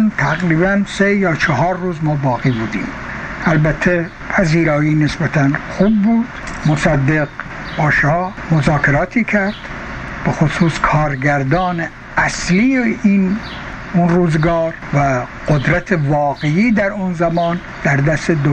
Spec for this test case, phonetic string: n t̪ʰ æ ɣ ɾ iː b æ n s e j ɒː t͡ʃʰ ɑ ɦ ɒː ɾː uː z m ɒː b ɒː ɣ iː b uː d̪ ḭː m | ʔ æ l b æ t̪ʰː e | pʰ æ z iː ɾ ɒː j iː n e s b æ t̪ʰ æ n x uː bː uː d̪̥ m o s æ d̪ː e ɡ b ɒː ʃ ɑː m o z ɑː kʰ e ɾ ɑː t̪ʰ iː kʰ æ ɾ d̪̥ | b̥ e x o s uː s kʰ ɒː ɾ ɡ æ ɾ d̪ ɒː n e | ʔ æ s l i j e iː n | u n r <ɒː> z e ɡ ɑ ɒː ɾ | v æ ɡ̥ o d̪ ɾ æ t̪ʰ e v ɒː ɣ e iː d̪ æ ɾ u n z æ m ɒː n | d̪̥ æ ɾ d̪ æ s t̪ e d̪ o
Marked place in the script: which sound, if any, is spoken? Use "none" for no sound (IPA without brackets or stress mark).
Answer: uː